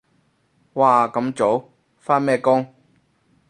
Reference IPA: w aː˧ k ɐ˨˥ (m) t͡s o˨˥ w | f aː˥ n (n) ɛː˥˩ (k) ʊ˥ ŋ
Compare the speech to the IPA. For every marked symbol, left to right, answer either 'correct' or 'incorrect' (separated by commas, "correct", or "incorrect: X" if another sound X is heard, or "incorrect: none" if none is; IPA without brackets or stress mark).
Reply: correct, incorrect: m, correct